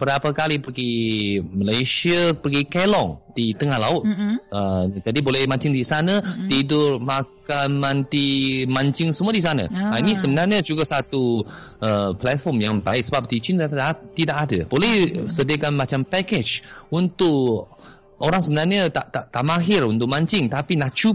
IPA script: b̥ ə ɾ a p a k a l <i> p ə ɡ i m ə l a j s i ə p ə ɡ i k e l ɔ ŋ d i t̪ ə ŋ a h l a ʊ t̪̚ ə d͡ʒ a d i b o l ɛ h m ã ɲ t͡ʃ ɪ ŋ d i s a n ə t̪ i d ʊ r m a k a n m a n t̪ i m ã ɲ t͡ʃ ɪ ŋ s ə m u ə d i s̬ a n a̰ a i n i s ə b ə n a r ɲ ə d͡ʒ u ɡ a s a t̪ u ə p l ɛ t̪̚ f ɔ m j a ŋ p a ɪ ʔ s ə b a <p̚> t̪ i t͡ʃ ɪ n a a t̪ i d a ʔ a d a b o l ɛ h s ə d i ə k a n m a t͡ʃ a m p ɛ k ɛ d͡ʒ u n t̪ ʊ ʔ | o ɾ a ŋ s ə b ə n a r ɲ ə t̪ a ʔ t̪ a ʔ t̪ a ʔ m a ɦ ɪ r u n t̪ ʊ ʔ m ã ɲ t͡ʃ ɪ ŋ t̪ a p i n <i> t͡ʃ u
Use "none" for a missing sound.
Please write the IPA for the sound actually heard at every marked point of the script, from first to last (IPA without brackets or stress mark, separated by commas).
i, p̚, a